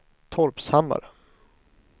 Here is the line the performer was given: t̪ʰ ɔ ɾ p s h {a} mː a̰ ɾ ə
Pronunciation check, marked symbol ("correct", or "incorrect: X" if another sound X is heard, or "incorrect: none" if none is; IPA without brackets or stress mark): correct